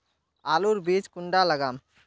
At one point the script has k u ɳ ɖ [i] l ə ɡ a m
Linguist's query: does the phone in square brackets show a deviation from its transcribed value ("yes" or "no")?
yes